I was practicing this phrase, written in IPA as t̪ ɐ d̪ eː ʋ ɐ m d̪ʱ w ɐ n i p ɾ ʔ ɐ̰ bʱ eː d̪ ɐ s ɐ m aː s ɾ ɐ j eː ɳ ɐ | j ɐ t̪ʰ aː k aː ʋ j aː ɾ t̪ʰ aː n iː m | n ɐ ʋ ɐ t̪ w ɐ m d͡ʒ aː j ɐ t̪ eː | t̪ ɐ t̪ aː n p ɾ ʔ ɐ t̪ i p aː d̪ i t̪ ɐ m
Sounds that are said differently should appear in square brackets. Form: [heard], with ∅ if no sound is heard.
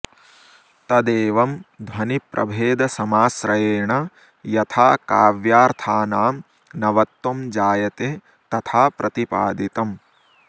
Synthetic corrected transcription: t̪ ɐ d̪ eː ʋ ɐ m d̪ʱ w ɐ n i p ɾ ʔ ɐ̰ bʱ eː d̪ ɐ s ɐ m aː s ɾ ɐ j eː ɳ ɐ | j ɐ t̪ʰ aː k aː ʋ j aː ɾ t̪ʰ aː n [aː] m | n ɐ ʋ ɐ t̪ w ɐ m d͡ʒ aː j ɐ t̪ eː | t̪ ɐ [t̪ʰ] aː [∅] p ɾ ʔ ɐ t̪ i p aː d̪ i t̪ ɐ m